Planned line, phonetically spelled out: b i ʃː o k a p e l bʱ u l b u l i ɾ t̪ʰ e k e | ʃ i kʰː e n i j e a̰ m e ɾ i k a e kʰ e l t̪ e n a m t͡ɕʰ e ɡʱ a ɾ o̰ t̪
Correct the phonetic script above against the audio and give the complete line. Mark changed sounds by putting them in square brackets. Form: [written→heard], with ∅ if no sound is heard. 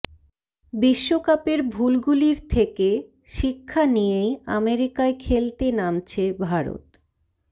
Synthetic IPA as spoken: b i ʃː o k a p e [l→ɾ] bʱ u l [b→ɡ] u l i ɾ t̪ʰ e k e | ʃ i kʰː [e→a] n i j e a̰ m e ɾ i k a e kʰ e l t̪ e n a m t͡ɕʰ e [ɡʱ→bʱ] a ɾ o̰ t̪